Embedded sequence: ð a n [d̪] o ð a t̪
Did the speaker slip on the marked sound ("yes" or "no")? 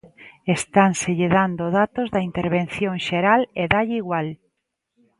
no